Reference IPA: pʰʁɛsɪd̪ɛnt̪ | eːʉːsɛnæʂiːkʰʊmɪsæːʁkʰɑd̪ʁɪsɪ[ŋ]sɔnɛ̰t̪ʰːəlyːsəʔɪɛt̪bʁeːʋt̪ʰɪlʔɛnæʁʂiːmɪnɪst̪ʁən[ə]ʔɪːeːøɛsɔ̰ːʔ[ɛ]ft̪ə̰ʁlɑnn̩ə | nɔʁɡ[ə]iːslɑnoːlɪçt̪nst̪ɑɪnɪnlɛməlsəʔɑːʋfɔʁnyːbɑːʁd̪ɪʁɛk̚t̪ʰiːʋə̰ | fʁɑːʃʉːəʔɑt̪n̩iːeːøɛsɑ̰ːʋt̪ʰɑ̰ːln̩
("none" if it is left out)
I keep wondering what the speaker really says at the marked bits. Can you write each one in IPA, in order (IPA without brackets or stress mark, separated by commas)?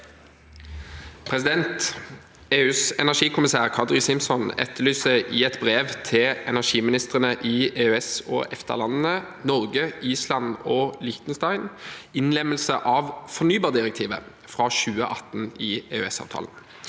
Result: m, ə, ɛ, ə